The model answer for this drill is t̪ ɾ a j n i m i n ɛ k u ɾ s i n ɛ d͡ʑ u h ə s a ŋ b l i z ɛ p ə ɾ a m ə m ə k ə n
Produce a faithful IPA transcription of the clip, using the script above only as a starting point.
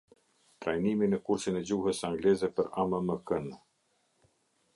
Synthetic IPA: t̪ ɾ a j n i m i n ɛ k u ɾ s i n ɛ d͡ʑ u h ə s a ŋ ɡ l ɛ z ɛ p ə ɾ a m ə m ə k ə n